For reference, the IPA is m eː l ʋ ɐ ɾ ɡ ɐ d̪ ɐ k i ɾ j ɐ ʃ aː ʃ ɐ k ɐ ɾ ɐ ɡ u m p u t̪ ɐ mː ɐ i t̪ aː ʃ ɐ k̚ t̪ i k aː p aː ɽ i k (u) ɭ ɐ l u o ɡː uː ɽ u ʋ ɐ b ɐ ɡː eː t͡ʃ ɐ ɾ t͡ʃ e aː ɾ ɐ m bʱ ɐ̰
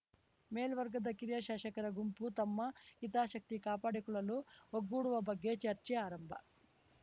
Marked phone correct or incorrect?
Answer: correct